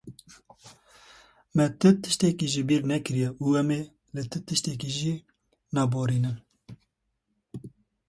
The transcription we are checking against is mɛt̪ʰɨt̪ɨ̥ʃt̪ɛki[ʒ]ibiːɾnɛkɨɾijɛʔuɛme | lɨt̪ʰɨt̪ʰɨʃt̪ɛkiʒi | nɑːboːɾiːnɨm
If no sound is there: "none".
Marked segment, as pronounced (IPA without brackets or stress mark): ʒ